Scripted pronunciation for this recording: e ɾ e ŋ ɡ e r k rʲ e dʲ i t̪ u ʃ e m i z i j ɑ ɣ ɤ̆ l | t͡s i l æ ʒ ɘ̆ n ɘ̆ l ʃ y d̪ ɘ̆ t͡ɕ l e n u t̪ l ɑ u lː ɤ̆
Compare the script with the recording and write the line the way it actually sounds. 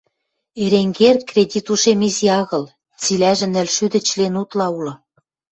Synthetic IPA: e ɾ e ŋ ɡ e r k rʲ e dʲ i t̪ u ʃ e m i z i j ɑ ɣ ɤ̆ l | t͡s i l æ ʒ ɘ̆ n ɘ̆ l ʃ y d̪ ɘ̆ t͡ɕ l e n u t̪ l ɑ u l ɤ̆